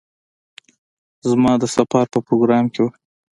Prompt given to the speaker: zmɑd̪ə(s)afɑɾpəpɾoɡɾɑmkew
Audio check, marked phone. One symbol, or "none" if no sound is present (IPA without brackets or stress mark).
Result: s